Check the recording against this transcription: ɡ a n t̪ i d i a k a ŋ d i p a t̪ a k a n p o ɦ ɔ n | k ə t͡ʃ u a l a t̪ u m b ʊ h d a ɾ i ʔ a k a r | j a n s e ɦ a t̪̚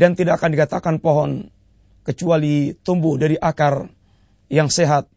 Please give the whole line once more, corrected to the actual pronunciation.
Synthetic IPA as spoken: d a n t̪ i d a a k a n d i k a t̪ a k a n p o ɦ ɔ n | k ə t͡ʃ u a l i t̪ u m b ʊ h d a ɾ i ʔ a k a r | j a ŋ s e ɦ a t̪̚